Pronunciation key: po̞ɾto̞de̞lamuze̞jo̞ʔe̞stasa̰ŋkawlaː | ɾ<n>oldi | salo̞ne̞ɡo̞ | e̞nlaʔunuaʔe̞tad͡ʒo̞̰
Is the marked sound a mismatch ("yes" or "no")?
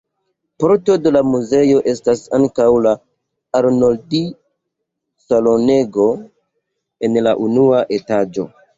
no